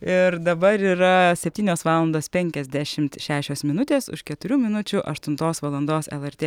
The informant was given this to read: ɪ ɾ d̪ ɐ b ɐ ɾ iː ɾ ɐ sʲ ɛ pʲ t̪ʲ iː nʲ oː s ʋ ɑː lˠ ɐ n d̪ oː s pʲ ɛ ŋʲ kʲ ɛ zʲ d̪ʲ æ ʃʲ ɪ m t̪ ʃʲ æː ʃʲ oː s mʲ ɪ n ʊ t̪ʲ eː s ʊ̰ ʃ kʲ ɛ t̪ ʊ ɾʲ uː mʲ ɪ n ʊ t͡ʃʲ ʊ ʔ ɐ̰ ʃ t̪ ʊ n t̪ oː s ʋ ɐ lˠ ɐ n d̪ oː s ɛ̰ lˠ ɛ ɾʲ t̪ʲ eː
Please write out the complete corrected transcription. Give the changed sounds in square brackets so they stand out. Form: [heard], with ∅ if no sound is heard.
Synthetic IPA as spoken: ɪ ɾ d̪ ɐ b ɐ ɾ iː ɾ ɐ sʲ ɛ pʲ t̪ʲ iː nʲ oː s ʋ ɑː lˠ ɐ n d̪ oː s pʲ ɛ ŋʲ kʲ ɛ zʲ d̪ʲ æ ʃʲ ɪ m t̪ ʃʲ æː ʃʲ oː s mʲ ɪ n ʊ t̪ʲ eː s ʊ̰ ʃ kʲ ɛ t̪ ʊ ɾʲ uː mʲ ɪ n ʊ t͡ʃʲ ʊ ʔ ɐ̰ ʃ t̪ ʊ n t̪ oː s ʋ ɐ lˠ ɐ n d̪ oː s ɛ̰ lˠ ɛ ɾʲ t̪ʲ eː